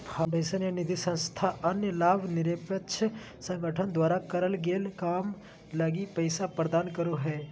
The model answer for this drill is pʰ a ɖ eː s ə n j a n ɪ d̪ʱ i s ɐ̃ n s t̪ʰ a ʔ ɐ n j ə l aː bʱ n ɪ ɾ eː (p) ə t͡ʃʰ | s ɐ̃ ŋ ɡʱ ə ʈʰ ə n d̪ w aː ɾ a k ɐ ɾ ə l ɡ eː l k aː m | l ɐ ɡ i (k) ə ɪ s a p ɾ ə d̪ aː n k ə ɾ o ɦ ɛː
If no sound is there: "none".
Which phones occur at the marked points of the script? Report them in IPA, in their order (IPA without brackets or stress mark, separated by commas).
p, p